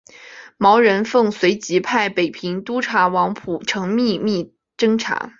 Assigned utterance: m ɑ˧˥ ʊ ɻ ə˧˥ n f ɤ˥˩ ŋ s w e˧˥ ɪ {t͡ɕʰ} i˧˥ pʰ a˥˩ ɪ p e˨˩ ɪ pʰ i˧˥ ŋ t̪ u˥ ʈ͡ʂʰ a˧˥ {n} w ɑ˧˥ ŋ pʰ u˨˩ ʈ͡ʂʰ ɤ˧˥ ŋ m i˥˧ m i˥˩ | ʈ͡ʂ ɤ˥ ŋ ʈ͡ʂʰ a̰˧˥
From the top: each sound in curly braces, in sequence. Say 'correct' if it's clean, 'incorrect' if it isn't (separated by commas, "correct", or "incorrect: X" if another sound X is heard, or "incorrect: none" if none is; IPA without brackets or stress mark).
incorrect: t͡ɕ, incorrect: none